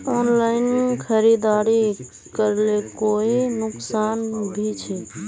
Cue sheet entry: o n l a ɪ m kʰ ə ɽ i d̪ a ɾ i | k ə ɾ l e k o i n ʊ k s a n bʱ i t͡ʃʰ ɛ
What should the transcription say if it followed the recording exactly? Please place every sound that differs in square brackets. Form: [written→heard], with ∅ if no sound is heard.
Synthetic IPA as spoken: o n l a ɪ [m→n] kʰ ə [ɽ→ɾ] i d̪ a ɾ i | k ə ɾ l e k o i n ʊ k s a n bʱ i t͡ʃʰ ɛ